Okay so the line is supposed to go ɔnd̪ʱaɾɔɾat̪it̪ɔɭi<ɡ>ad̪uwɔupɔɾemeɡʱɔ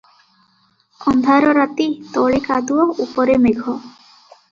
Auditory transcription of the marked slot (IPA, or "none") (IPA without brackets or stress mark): k